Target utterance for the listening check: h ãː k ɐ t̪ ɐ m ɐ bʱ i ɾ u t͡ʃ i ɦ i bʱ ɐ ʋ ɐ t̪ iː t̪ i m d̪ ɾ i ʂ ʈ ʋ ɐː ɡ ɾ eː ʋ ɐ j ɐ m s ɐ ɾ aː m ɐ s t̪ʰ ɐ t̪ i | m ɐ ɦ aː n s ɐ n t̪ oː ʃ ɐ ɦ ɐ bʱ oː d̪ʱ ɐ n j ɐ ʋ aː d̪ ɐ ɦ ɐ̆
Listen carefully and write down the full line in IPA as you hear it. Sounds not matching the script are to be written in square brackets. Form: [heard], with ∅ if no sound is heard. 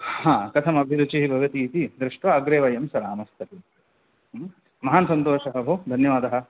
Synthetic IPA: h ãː k ɐ [t̪ʰ] ɐ m ɐ bʱ i ɾ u t͡ʃ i ɦ i bʱ ɐ ʋ ɐ t̪ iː t̪ i [∅] d̪ ɾ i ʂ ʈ ʋ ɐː ɡ ɾ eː ʋ ɐ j ɐ m s ɐ ɾ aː m ɐ s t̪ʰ ɐ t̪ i | m ɐ ɦ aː n s ɐ n t̪ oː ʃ ɐ ɦ ɐ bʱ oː d̪ʱ ɐ n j ɐ ʋ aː d̪ ɐ ɦ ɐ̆